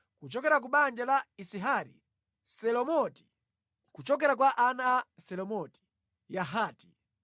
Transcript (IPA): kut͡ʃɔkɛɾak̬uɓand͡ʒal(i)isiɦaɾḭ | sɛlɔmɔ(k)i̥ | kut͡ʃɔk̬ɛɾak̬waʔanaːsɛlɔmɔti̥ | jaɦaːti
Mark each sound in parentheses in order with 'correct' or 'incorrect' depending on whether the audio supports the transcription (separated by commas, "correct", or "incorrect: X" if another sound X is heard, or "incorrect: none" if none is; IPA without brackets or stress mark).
incorrect: a, incorrect: t